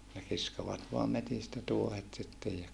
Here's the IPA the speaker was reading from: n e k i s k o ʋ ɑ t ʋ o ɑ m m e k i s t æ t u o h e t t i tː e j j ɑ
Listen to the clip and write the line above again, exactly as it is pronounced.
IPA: n e k i s k o ʋ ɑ t ʋ o ɑ m m e t i s t æ t u o h e t s i tː e j j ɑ